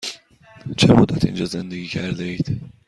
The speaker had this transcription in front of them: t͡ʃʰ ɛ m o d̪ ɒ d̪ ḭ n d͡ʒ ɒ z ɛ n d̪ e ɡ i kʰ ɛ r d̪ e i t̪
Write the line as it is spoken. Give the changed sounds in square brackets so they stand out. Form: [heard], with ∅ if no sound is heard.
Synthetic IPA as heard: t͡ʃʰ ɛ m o d̪ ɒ [t̪] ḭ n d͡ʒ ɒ z ɛ n d̪ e ɡ i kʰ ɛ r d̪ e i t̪